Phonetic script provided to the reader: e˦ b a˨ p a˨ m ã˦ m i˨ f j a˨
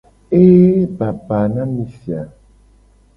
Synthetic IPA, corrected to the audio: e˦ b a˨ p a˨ n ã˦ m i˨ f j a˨